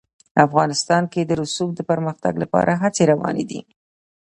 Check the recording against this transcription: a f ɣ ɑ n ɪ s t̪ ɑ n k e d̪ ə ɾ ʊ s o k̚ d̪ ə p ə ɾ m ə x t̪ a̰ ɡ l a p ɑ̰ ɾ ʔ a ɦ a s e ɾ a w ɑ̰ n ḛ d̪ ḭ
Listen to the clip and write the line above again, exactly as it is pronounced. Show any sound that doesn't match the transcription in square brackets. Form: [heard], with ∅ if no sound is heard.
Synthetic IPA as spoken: a f ɣ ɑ n ɪ s t̪ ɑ n k e d̪ ə ɾ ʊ s [u] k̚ d̪ ə p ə ɾ m ə x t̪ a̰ ɡ l a p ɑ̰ ɾ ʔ a ɦ a [t͡s] e ɾ a w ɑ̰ n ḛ d̪ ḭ